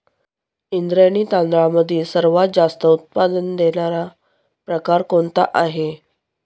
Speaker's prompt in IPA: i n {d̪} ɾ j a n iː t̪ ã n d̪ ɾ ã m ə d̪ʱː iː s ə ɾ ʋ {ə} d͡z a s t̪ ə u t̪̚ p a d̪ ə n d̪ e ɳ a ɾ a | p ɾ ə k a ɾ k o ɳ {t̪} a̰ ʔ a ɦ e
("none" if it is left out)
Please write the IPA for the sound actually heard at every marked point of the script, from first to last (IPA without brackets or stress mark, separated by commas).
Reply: d̪, a, t̪